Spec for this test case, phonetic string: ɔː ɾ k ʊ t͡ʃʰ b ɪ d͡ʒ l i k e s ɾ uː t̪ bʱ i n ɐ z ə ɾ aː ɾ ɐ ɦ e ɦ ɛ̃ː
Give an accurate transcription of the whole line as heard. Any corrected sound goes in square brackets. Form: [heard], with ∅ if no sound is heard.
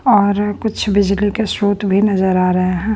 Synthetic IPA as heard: ɔː ɾ k ʊ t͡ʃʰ b ɪ d͡ʒ l i k e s ɾ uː t̪ bʱ i n ɐ z ə ɾ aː ɾ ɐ ɦ e ɦ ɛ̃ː